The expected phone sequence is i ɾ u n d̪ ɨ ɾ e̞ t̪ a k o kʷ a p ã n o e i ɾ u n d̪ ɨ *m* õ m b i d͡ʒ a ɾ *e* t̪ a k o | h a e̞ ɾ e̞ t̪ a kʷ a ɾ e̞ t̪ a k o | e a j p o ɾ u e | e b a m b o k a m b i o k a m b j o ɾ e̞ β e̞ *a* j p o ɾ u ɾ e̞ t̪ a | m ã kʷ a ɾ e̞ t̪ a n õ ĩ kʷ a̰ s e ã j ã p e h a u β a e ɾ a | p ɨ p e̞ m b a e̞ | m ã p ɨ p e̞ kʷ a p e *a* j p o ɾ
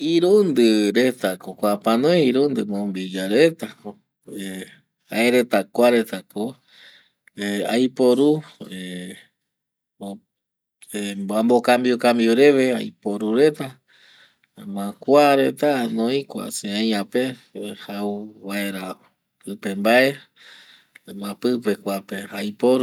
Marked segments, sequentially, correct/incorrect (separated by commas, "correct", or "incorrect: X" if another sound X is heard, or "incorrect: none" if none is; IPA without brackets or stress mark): correct, correct, correct, correct